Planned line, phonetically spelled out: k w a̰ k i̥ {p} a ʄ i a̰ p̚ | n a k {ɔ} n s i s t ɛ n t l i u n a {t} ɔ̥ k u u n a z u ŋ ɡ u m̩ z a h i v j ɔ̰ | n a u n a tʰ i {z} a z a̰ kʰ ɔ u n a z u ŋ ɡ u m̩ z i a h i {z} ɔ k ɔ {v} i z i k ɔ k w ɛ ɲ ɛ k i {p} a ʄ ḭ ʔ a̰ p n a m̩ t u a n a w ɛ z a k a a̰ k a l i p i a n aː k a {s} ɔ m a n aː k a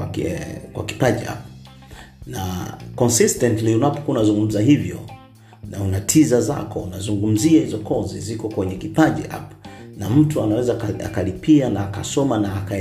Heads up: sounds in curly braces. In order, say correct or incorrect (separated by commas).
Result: correct, correct, incorrect, correct, correct, incorrect, correct, correct